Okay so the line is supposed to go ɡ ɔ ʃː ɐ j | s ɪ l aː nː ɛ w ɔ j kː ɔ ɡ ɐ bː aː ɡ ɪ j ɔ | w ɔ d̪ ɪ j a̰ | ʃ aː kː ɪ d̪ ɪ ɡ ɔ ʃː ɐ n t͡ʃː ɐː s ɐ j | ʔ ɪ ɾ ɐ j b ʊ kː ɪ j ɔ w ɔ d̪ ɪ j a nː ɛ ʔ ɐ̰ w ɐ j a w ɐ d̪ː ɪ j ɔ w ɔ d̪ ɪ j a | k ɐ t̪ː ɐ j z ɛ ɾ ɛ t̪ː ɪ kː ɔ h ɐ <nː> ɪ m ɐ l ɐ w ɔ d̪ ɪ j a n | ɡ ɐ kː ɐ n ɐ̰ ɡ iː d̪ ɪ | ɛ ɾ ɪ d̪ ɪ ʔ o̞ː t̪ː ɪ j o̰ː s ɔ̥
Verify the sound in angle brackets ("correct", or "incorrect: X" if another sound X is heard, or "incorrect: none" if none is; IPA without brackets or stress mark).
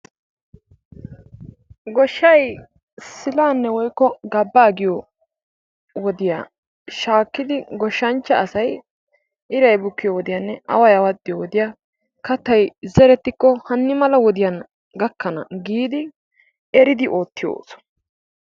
correct